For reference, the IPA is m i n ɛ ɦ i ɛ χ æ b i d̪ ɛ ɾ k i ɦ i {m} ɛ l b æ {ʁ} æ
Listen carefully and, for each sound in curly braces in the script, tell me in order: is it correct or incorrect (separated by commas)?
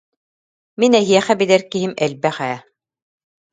correct, incorrect